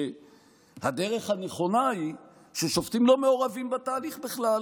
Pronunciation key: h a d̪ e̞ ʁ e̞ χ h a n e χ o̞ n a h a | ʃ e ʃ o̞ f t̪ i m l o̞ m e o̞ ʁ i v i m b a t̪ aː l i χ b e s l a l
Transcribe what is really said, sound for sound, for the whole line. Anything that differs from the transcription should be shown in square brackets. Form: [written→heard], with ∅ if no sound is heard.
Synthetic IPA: h a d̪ e̞ ʁ e̞ χ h a n e χ o̞ n a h [a→i] | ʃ e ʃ o̞ f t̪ i m l o̞ m e o̞ ʁ [i→a] v i m b a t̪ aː l i χ b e [s→χ] l a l